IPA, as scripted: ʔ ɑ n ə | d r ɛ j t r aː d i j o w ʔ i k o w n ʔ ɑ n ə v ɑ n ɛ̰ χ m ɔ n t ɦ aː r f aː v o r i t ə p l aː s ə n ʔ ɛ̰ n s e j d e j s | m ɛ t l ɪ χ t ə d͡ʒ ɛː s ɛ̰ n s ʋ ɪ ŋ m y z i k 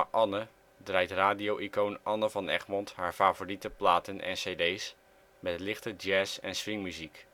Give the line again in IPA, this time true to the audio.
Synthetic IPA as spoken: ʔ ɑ n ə | d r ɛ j t r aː d i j o w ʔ i k o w n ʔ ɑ n ə v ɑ n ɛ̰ χ m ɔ n t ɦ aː ɹ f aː v o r i t ə p l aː t ə n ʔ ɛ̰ n s e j d e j s | m ɛ t l ɪ χ t ə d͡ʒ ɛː s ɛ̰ n s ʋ ɪ ŋ m y z i k